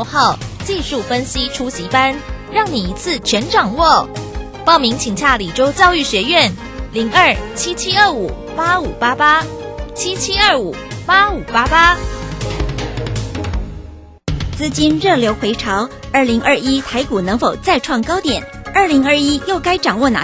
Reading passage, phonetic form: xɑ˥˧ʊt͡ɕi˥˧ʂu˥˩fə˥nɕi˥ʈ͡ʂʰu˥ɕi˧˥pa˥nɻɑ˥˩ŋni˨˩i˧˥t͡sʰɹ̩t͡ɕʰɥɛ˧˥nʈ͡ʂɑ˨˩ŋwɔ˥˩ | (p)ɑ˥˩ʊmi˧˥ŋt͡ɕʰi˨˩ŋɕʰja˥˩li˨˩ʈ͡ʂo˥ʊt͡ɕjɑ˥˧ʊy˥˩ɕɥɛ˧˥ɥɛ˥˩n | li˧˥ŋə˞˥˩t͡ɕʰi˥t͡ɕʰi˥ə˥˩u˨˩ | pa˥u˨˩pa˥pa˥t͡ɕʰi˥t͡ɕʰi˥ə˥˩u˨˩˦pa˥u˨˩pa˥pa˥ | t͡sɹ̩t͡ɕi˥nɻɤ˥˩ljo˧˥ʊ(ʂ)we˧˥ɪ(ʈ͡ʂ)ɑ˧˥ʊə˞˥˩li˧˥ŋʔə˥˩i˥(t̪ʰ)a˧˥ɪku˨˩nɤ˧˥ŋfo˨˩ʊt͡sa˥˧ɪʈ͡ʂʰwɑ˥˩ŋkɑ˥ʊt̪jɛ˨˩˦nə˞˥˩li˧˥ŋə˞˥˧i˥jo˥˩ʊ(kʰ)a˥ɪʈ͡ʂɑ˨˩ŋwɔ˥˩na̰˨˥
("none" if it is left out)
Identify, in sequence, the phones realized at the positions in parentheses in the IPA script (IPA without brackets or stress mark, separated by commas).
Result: p, x, ʈ͡ʂʰ, t̪ʰ, k